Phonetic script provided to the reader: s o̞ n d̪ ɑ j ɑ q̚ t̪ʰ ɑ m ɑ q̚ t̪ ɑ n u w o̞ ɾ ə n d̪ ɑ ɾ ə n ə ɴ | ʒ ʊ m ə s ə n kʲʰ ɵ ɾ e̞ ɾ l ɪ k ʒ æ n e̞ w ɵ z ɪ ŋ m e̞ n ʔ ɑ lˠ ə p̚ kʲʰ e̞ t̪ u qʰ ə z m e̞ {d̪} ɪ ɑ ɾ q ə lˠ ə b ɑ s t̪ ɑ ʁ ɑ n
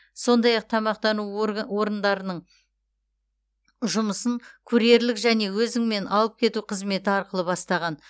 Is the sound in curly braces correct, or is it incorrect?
incorrect